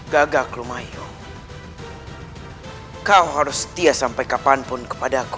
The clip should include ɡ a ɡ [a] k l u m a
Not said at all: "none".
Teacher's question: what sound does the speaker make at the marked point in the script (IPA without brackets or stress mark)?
a